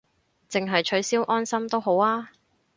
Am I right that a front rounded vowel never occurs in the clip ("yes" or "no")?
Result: yes